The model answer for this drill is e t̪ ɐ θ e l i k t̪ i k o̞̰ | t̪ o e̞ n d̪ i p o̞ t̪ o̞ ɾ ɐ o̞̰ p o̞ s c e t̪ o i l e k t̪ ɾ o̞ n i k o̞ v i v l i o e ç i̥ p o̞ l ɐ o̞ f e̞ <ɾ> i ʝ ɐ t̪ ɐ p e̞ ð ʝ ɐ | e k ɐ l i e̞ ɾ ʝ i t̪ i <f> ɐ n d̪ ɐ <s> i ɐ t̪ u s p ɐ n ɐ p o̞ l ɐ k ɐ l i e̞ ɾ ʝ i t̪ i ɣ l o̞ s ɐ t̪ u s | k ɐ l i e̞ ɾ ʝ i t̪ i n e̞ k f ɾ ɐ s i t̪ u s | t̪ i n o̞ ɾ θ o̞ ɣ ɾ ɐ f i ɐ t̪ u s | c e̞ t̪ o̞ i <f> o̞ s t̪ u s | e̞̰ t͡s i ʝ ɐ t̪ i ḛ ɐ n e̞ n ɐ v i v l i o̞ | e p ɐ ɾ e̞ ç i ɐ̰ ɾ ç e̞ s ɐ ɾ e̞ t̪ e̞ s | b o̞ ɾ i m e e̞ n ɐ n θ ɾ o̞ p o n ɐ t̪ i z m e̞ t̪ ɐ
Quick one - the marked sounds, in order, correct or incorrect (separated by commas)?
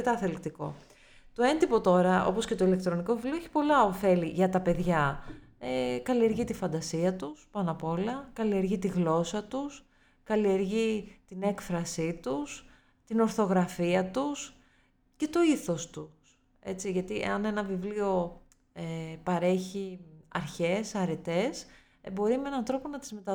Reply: incorrect, correct, correct, incorrect